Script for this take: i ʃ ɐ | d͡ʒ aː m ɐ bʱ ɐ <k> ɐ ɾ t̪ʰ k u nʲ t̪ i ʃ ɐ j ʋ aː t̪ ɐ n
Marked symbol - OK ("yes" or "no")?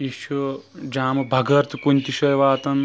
no